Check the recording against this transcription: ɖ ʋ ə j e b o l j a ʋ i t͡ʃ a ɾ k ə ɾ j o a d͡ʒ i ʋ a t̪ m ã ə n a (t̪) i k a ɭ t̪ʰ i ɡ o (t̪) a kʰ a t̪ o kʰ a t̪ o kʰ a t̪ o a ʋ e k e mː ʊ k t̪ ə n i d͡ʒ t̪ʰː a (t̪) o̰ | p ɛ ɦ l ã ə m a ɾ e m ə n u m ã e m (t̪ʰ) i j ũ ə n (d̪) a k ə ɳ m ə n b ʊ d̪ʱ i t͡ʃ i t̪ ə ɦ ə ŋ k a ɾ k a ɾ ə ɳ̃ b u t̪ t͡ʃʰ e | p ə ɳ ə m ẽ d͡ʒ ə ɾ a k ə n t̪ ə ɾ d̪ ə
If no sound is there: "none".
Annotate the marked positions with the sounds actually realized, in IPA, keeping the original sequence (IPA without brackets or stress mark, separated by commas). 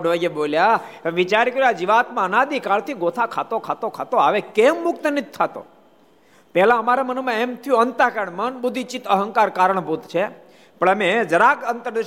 d̪, t̪ʰ, t̪, t̪ʰ, t̪